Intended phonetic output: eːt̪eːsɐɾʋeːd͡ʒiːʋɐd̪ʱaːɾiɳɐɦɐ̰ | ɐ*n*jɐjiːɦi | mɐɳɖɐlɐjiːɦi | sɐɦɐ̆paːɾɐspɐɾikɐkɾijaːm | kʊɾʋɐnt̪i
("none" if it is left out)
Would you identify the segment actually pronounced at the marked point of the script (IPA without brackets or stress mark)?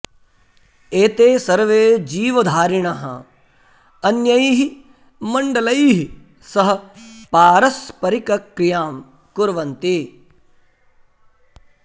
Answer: n